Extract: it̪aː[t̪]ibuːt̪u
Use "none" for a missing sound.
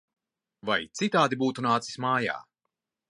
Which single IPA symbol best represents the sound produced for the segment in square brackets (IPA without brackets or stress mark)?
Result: d̪